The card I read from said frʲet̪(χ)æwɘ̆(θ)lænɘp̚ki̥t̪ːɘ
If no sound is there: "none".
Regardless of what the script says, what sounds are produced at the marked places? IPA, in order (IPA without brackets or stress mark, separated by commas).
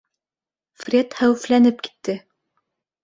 h, f